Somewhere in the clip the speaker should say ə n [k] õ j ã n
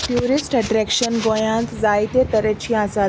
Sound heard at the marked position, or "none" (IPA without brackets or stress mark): ɡ